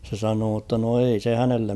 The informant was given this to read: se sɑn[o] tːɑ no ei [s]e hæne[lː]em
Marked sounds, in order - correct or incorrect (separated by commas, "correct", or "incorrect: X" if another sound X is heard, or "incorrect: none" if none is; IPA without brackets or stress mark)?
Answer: incorrect: oː, correct, correct